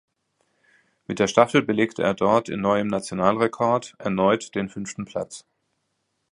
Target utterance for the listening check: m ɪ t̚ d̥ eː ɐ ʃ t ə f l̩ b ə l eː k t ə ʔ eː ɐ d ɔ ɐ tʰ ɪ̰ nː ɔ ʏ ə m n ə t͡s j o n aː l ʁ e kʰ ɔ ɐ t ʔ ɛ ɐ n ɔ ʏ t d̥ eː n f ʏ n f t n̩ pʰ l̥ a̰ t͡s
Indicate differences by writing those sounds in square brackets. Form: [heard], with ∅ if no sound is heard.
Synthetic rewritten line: m ɪ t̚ d̥ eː ɐ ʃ t [a] f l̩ b ə l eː k t ə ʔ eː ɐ d ɔ ɐ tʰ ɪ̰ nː ɔ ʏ ə m n [a] t͡s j o n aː l ʁ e kʰ ɔ ɐ t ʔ ɛ ɐ n ɔ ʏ t d̥ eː n f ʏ n f t n̩ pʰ l̥ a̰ t͡s

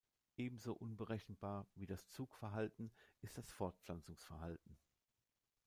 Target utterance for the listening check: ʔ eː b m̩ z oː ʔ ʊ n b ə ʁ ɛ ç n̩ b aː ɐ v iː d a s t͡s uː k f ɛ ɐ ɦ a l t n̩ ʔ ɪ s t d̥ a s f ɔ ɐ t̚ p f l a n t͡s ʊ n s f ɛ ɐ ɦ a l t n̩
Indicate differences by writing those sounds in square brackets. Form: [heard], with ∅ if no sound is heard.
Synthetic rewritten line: ʔ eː b m̩ z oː ʔ ʊ n b ə ʁ ɛ ç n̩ b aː ɐ v iː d a s t͡s uː k f ɛ ɐ ɦ a l t n̩ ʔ ɪ s t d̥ a s f ɔ ɐ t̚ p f l a n t͡s ʊ [ŋ] s f ɛ ɐ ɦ a l t n̩

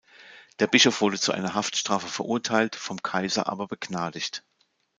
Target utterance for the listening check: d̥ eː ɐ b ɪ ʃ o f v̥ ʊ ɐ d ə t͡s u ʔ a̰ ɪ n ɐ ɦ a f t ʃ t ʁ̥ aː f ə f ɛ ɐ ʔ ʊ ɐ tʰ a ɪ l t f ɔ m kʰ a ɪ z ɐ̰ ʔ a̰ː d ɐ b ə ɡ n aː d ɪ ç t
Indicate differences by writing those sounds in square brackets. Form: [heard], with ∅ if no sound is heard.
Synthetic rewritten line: d̥ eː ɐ b ɪ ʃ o f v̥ ʊ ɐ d ə t͡s u ʔ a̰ ɪ n ɐ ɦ a f t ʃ t ʁ̥ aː f ə f ɛ ɐ ʔ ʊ ɐ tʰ a ɪ l t f ɔ m kʰ a ɪ z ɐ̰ ʔ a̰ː [b] ɐ b ə ɡ n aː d ɪ ç t

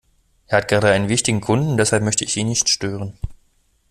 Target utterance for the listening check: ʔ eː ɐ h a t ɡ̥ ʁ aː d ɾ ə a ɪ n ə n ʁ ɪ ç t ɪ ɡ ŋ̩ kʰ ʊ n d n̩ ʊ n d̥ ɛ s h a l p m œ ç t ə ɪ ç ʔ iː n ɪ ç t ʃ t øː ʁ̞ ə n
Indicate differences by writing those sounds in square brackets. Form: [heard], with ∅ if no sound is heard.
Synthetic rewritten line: ʔ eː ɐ h a t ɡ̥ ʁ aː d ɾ ə a ɪ n ə n [v] ɪ ç t ɪ ɡ ŋ̩ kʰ ʊ n d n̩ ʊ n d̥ ɛ s h a l p m œ ç t ə ɪ ç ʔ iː n ɪ ç t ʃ t øː ʁ̞ ə n

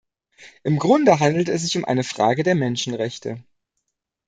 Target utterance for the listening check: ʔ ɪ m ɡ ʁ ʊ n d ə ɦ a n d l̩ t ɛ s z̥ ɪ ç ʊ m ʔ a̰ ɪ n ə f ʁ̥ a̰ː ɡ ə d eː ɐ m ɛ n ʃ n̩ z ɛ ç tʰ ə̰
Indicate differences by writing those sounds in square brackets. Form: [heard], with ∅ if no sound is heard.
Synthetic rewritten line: ʔ ɪ m ɡ ʁ ʊ n d ə ɦ a n d l̩ t ɛ s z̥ ɪ ç ʊ m ʔ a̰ ɪ n ə f ʁ̥ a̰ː ɡ ə d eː ɐ m ɛ n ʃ n̩ [ʁ] ɛ ç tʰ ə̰

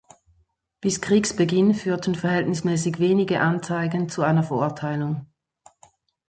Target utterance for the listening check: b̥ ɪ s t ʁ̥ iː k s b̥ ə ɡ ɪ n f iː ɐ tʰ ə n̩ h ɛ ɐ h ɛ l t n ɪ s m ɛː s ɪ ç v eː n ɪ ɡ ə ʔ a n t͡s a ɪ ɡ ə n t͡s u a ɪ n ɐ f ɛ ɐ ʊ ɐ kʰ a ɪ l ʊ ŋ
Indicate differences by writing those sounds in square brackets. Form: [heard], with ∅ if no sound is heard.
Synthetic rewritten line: b̥ ɪ s [k] ʁ̥ iː k s b̥ ə ɡ ɪ n f [yː] ɐ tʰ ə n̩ [f] ɛ ɐ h ɛ l t n ɪ s m ɛː s ɪ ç v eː n ɪ ɡ ə ʔ a n t͡s a ɪ ɡ ə n t͡s u a ɪ n ɐ f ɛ ɐ ʊ ɐ [tʰ] a ɪ l ʊ ŋ

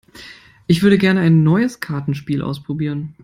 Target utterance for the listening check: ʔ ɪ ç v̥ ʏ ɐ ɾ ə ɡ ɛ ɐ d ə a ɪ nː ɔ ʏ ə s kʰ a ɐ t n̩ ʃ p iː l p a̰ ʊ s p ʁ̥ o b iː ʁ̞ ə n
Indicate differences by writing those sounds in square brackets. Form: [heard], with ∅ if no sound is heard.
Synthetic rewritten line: ʔ ɪ ç v̥ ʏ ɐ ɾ ə ɡ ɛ ɐ [n] ə a ɪ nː ɔ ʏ ə s kʰ a ɐ t n̩ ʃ p iː l [ʔ] a̰ ʊ s p ʁ̥ o b iː ʁ̞ ə n

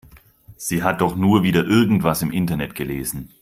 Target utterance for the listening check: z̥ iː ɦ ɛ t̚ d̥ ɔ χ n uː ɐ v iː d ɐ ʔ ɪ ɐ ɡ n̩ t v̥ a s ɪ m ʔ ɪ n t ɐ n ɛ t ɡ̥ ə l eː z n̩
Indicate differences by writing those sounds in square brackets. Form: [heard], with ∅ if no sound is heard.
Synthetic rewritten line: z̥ iː ɦ [a] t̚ d̥ ɔ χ n uː ɐ v iː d ɐ ʔ ɪ ɐ ɡ [ŋ̩] t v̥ a s ɪ m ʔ ɪ n t ɐ n ɛ t ɡ̥ ə l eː z n̩

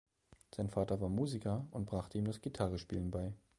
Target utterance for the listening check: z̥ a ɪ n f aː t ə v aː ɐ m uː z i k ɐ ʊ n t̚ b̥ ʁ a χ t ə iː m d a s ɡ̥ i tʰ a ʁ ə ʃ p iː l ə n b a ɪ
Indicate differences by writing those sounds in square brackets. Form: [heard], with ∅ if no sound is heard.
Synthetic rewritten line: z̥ a ɪ n f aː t [ɐ] v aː ɐ m uː z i k ɐ ʊ n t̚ b̥ ʁ a χ t ə iː m d a s ɡ̥ i tʰ a ʁ ə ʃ p iː l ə n b a ɪ

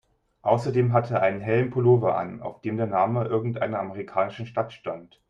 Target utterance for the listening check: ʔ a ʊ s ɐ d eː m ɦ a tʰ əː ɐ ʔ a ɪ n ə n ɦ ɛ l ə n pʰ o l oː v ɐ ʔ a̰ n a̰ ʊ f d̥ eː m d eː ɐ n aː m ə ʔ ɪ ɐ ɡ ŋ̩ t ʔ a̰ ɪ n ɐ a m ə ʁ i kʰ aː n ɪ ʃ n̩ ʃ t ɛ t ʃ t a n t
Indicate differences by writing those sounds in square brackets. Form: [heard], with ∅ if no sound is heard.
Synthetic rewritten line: ʔ a ʊ s ɐ d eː m ɦ a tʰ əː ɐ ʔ a ɪ n ə n ɦ ɛ l ə n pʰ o l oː v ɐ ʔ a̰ n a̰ ʊ f d̥ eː m d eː ɐ n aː m ə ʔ ɪ ɐ ɡ ŋ̩ t ʔ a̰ ɪ n ɐ a m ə ʁ i kʰ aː n ɪ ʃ n̩ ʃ t [a] t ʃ t a n t

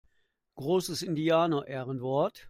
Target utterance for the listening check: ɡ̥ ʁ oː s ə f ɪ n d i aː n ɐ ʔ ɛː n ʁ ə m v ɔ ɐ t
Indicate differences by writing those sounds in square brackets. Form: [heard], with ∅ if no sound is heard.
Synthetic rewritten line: ɡ̥ ʁ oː s ə [s] ɪ n d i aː n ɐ ʔ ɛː [∅] ʁ ə [n] v ɔ ɐ t

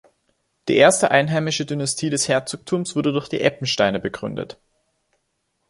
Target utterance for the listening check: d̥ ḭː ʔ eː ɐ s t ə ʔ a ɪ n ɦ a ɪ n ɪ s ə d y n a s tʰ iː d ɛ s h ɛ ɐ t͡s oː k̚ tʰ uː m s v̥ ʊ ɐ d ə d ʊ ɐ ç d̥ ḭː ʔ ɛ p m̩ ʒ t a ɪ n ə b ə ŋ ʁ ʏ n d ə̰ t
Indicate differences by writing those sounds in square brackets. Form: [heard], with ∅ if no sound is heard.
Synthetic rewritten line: d̥ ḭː ʔ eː ɐ s t ə ʔ a ɪ n ɦ a ɪ [m] ɪ [ʃ] ə d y n a s tʰ iː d ɛ s h ɛ ɐ t͡s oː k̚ tʰ uː m s v̥ ʊ ɐ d ə d ʊ ɐ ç d̥ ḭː ʔ ɛ p m̩ [ʃ] t a ɪ n ə b ə [ɡ] ʁ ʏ n d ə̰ t

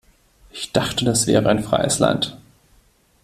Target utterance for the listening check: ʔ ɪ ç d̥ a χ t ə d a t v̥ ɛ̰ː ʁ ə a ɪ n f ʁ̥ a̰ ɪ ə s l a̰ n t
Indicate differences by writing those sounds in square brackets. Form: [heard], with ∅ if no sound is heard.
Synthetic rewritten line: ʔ ɪ ç d̥ a χ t ə d a [s] v̥ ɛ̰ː ʁ ə a ɪ n f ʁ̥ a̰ ɪ ə s l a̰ n t

